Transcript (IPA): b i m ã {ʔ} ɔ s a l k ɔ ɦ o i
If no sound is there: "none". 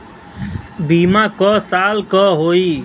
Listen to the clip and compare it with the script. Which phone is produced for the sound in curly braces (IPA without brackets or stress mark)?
k